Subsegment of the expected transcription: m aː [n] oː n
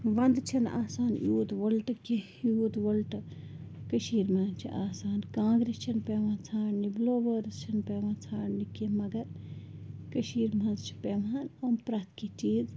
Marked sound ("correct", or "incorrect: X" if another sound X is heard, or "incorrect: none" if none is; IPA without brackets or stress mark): correct